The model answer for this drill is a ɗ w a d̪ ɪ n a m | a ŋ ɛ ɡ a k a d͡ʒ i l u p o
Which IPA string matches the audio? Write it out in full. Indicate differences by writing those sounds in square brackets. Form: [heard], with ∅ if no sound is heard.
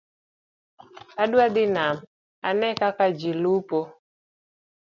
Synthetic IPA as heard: a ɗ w a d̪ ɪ n a m | a [n] ɛ [k] a k a d͡ʒ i l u p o